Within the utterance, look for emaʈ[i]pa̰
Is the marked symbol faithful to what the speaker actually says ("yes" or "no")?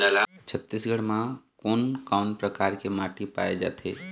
yes